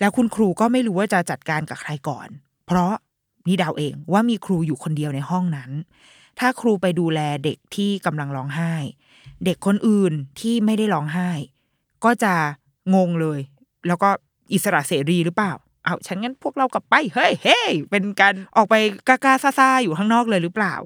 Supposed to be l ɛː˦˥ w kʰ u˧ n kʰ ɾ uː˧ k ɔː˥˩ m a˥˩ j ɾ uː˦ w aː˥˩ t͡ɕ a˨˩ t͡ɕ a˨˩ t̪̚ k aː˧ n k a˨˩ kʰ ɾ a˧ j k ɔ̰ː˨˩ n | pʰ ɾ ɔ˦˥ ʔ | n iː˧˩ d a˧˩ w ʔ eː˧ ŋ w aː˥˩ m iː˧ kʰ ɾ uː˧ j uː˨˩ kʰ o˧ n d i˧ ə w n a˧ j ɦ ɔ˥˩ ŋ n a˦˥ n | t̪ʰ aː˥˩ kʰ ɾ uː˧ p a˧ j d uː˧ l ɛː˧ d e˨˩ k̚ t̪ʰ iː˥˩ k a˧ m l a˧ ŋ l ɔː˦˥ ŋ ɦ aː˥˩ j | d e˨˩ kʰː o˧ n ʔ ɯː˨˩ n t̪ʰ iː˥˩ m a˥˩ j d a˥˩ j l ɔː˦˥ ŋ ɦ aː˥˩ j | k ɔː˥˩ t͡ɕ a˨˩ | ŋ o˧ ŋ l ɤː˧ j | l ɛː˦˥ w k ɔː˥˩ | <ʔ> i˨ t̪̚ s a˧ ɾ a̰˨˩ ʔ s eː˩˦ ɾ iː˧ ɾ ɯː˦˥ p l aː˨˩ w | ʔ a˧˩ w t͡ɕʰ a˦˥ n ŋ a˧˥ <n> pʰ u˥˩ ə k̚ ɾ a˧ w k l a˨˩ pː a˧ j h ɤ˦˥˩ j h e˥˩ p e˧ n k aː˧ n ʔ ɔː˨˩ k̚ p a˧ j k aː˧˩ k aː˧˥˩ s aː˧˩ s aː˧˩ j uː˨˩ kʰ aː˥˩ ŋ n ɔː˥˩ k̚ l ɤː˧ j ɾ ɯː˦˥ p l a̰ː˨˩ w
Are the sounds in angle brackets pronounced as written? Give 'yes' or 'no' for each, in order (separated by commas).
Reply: yes, yes